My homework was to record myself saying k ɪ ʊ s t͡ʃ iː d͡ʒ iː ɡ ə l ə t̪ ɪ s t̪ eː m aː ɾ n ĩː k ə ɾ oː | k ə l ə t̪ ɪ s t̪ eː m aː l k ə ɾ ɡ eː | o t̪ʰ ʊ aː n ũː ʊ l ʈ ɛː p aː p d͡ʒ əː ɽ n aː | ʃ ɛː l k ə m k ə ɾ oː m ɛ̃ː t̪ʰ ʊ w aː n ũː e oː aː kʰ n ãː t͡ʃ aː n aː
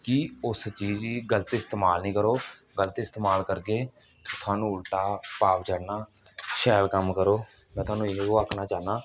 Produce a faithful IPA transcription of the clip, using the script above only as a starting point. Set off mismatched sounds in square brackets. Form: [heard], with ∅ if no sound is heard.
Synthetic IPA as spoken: k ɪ ʊ s t͡ʃ iː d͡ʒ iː ɡ ə l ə t̪ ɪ s t̪ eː m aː [l] n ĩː k ə ɾ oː | [ɡ] ə l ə t̪ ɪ s t̪ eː m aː l k ə ɾ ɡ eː | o t̪ʰ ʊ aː n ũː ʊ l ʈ [aː] p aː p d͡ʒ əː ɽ n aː | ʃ ɛː l k ə m k ə ɾ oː m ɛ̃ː [t̪] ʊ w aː n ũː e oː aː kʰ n [aː] t͡ʃ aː n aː